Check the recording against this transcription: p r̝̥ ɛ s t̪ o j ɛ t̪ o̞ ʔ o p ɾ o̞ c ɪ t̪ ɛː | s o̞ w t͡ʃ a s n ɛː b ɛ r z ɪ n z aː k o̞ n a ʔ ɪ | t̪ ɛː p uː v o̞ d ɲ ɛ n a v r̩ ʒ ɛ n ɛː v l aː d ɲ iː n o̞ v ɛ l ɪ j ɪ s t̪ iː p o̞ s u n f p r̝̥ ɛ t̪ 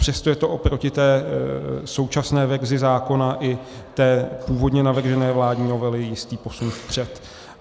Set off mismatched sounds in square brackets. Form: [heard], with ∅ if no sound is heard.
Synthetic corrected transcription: p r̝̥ ɛ s t̪ o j ɛ t̪ o̞ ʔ o p ɾ o̞ c ɪ t̪ ɛː | s o̞ w t͡ʃ a s n ɛː [v] ɛ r z ɪ [∅] z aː k o̞ n a ʔ ɪ | t̪ ɛː p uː v o̞ d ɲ ɛ n a v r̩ ʒ ɛ n ɛː v l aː d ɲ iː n o̞ v ɛ l ɪ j ɪ s t̪ iː p o̞ s u n f p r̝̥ ɛ t̪